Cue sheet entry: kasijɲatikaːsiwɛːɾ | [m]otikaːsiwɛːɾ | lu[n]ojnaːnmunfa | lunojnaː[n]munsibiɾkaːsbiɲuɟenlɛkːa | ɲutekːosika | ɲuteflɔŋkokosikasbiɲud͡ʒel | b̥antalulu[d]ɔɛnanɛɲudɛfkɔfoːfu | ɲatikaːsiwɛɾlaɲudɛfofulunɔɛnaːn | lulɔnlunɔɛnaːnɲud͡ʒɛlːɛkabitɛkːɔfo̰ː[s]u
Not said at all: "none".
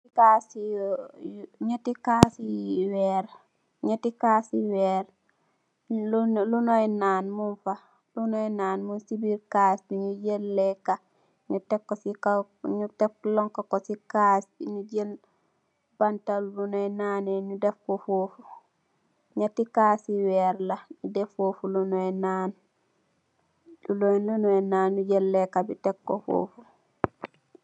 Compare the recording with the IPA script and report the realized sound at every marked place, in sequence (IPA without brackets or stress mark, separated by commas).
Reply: ɲ, n, n, n, f